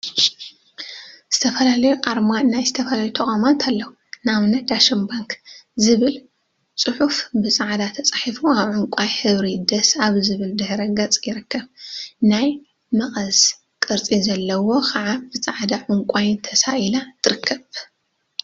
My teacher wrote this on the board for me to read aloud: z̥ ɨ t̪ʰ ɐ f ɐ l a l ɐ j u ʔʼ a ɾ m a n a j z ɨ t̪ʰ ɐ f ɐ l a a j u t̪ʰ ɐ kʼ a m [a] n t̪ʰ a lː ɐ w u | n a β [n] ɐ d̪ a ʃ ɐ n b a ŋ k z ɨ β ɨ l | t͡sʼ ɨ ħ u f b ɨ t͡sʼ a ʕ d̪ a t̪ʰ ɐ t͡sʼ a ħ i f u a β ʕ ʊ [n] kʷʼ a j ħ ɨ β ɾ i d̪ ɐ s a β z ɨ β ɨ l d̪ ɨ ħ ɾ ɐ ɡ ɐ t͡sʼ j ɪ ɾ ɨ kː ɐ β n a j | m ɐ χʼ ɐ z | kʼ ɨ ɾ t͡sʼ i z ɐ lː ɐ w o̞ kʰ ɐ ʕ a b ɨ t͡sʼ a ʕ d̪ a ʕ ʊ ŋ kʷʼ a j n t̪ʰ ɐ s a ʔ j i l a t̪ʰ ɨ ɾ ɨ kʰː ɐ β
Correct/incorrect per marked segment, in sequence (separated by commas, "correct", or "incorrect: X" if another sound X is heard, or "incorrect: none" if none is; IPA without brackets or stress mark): correct, correct, incorrect: ŋ